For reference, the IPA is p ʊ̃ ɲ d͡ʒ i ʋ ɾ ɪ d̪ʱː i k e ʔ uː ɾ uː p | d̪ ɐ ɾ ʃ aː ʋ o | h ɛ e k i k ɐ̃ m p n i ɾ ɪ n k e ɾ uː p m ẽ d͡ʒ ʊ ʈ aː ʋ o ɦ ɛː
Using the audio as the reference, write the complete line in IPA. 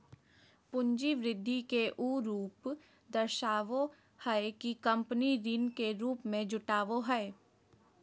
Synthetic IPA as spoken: p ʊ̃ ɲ d͡ʒ i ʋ ɾ ɪ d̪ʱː i k e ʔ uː ɾ uː p | d̪ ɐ ɾ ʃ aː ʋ o | h ɛ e k i k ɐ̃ m p n i ɾ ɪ n k e ɾ uː p m ẽ d͡ʒ ʊ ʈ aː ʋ o ɦ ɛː